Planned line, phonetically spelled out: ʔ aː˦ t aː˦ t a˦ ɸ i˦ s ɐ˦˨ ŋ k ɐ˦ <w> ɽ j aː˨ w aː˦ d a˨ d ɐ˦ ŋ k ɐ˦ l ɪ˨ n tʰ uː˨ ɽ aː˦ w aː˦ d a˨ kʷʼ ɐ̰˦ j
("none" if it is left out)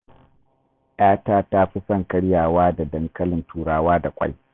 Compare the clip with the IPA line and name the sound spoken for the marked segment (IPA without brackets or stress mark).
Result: none